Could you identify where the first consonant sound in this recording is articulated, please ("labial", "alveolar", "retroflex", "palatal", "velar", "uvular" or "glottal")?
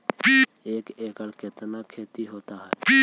velar